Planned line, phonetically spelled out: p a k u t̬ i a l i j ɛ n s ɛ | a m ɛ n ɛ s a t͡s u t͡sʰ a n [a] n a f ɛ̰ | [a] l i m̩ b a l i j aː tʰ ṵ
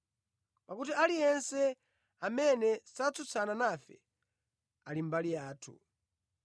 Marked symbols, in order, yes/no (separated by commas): yes, yes